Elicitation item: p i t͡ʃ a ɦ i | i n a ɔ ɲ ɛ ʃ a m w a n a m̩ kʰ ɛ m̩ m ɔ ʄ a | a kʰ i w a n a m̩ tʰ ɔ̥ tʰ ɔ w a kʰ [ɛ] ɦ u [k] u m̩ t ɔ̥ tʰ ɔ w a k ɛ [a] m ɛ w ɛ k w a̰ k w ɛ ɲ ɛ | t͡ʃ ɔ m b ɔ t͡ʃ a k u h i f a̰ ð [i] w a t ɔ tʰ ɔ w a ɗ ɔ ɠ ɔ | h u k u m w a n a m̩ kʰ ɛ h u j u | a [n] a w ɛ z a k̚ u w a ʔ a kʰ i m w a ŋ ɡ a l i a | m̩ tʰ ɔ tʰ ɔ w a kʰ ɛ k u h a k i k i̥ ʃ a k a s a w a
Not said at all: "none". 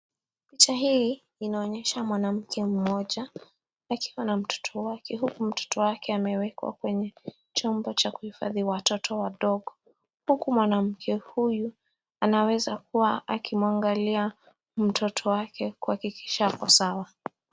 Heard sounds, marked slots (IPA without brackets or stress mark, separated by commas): ɛ, k, a, i, n